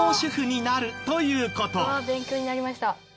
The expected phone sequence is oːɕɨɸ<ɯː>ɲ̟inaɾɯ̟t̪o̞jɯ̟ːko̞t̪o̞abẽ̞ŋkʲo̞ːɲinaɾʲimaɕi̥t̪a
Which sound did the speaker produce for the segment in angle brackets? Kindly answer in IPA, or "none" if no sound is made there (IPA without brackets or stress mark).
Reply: ɯ